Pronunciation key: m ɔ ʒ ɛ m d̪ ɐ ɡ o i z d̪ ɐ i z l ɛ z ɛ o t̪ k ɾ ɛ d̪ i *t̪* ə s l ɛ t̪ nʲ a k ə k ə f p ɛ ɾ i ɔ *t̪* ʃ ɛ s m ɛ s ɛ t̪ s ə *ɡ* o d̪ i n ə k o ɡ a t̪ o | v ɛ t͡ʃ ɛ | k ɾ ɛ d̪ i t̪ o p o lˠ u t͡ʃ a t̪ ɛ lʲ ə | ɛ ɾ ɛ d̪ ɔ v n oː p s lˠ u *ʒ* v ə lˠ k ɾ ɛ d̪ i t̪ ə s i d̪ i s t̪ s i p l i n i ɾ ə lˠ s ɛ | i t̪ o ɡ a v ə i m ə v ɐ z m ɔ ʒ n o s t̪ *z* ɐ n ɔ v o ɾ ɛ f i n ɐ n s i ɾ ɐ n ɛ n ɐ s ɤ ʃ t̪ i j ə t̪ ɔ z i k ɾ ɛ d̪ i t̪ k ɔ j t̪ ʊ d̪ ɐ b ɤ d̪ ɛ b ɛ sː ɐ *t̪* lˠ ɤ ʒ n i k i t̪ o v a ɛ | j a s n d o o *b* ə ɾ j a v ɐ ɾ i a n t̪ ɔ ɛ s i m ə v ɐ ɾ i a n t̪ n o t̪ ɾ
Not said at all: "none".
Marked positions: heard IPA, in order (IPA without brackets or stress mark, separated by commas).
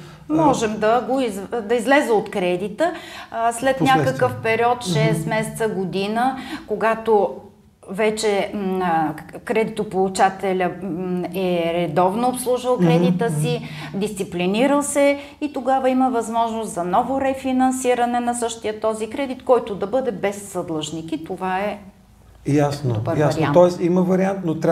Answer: t̪, t̪, ɡ, ʒ, z, d̪, b